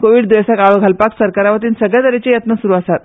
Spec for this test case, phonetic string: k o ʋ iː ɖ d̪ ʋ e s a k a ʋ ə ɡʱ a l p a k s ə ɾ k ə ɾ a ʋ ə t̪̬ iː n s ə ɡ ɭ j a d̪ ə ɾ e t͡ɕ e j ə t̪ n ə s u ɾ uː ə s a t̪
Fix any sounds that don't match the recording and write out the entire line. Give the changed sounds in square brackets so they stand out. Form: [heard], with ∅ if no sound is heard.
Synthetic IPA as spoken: k o ʋ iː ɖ d̪ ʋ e s a k a ʋ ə ɡʱ a l p a k s ə ɾ k [a] ɾ a ʋ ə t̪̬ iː n s ə ɡ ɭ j a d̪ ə ɾ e t͡ɕ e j ə t̪ n ə s u ɾ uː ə s a t̪